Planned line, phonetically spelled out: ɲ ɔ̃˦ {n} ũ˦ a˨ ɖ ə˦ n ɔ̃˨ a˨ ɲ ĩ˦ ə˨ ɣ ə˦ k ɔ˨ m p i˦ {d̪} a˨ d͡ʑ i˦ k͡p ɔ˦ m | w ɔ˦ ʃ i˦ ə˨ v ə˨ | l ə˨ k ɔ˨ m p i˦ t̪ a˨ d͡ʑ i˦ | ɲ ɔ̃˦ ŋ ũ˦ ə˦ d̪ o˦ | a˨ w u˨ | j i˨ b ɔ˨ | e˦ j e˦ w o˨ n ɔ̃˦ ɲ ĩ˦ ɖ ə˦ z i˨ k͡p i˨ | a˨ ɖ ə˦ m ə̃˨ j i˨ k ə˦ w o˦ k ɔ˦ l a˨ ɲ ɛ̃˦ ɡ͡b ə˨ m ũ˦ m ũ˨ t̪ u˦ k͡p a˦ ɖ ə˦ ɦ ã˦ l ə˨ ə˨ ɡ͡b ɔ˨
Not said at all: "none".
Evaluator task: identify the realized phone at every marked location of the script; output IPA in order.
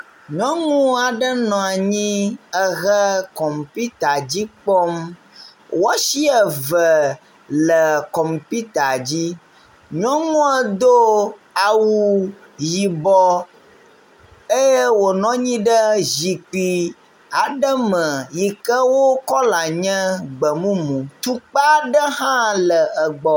ŋ, t̪

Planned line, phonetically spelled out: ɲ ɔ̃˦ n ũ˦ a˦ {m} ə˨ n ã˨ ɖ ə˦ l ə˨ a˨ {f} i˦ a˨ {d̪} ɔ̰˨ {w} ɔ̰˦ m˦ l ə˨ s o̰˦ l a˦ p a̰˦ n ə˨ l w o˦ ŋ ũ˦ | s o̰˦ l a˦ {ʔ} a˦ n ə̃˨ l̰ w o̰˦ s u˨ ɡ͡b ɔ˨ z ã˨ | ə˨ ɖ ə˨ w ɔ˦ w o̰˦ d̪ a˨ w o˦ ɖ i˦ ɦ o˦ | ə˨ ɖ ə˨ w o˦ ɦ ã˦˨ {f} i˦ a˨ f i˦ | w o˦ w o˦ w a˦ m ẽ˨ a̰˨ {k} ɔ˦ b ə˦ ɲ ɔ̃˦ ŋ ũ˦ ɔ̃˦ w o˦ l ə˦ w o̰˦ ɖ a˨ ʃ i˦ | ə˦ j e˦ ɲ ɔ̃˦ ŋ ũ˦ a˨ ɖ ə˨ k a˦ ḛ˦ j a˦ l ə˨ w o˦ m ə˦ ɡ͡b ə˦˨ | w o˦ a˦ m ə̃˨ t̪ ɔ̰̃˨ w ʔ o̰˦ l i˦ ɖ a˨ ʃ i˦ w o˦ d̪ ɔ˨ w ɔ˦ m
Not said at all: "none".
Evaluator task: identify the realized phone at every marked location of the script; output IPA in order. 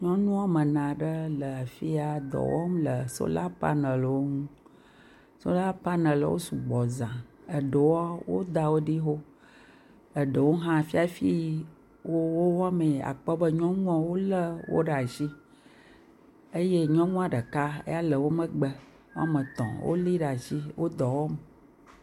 m, f, d̪, w, p, f, k͡p

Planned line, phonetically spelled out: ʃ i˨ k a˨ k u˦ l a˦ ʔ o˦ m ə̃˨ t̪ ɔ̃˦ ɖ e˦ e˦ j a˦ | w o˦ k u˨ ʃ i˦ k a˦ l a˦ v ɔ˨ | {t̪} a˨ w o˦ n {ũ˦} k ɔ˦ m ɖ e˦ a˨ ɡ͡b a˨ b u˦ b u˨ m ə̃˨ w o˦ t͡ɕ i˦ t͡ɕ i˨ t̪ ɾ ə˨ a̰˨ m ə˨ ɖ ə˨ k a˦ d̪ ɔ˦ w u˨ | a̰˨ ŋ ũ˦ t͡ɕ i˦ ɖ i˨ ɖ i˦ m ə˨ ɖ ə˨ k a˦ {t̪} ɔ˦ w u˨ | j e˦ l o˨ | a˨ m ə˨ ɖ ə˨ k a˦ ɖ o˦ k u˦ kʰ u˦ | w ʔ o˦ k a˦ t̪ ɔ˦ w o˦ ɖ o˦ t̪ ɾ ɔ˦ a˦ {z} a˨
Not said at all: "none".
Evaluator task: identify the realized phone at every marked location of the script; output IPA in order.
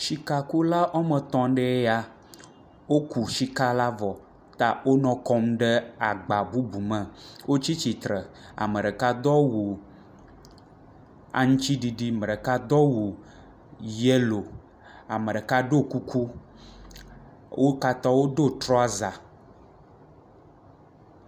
t̪, ɔ̃˦, d̪, z

